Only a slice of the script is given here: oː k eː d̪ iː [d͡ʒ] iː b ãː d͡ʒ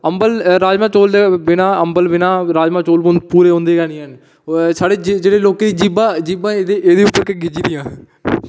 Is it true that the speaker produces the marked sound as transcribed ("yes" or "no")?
yes